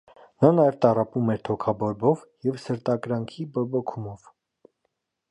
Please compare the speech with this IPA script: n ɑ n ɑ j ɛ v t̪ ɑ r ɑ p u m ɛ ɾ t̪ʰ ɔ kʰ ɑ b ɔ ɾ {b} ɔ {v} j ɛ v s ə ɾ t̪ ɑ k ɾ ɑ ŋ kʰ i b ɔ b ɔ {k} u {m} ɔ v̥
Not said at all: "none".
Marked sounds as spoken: b, v, kʰ, m

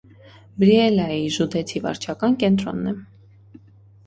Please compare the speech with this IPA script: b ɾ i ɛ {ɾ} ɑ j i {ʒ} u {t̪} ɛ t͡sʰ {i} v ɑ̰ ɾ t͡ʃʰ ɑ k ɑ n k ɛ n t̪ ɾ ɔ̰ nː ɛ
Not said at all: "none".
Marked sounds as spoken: l, ʒ, d̪, i

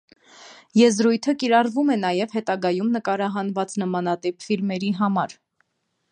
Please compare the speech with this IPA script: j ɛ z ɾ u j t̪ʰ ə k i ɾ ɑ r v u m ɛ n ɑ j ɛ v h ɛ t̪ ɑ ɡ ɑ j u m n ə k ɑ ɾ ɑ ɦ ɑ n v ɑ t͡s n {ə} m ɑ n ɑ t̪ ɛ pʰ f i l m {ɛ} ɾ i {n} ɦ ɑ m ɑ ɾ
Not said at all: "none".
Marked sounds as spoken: ə, ɛ, none

